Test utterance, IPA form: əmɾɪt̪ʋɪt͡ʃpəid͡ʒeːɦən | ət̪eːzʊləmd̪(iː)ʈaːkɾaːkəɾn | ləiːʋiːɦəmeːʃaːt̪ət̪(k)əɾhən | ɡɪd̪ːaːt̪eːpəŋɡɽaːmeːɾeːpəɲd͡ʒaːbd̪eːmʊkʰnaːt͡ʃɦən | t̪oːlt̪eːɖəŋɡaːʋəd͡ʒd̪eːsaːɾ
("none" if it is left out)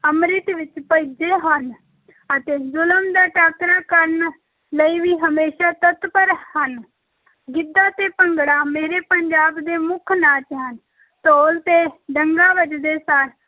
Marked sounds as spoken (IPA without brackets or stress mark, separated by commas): aː, p